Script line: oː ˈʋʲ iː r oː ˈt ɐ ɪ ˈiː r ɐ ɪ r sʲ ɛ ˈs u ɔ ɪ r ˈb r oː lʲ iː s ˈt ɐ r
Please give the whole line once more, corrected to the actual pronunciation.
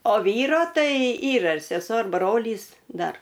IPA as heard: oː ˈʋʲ iː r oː ˈt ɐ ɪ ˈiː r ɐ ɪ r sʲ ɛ ˈs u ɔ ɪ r ˈb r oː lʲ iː s ˈd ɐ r